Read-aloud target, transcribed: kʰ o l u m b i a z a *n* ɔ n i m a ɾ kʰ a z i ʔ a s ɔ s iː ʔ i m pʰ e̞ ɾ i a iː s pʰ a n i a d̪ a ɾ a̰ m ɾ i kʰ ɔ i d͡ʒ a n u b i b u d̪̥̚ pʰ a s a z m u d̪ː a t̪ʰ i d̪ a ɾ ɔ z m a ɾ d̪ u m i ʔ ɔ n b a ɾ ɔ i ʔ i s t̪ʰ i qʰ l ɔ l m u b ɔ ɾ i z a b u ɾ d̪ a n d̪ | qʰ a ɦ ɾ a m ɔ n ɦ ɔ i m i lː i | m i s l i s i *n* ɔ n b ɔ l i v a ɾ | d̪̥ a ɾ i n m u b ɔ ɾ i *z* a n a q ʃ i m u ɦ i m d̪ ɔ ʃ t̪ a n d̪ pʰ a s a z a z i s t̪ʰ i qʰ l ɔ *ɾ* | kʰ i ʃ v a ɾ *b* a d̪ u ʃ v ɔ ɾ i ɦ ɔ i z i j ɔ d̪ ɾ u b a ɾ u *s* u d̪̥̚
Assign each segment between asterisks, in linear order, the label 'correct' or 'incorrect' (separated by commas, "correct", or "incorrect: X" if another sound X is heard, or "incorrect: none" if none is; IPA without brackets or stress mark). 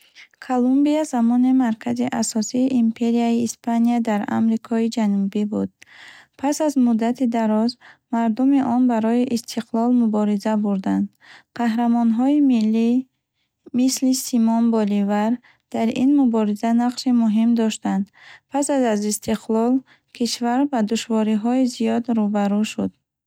incorrect: m, incorrect: m, correct, incorrect: l, correct, incorrect: ʃ